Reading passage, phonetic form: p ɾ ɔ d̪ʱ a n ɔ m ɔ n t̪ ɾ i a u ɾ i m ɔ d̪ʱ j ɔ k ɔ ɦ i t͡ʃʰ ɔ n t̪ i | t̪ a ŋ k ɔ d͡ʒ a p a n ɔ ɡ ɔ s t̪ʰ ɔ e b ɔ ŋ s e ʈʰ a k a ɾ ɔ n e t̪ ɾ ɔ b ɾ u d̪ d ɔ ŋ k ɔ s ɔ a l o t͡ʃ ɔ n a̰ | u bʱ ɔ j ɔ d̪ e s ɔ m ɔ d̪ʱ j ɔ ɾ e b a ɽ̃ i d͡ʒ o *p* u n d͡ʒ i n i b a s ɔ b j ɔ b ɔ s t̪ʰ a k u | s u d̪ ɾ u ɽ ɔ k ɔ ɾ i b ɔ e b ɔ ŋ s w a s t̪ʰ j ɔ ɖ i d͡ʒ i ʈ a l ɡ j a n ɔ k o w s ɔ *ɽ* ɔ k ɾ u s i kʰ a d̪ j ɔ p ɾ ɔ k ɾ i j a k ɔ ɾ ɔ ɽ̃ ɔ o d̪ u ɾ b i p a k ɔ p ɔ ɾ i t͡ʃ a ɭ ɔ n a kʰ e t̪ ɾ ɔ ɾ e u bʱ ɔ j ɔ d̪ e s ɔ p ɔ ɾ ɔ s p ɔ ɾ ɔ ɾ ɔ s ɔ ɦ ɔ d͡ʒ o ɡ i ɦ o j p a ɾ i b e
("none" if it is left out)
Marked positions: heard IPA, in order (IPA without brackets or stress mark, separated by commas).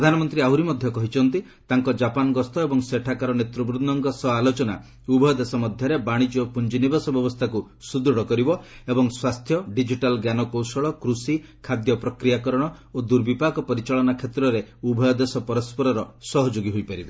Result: p, ɭ